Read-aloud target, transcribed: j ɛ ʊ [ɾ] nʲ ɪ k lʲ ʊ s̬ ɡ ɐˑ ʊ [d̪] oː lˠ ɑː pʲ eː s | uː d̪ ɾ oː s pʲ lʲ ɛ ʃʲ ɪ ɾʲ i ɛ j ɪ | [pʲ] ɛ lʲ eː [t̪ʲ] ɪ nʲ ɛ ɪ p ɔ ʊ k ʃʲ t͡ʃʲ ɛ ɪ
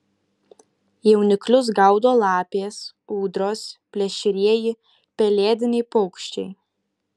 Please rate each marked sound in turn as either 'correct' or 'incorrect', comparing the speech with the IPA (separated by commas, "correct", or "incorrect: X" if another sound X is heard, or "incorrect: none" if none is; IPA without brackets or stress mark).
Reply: incorrect: none, correct, correct, incorrect: d̪ʲ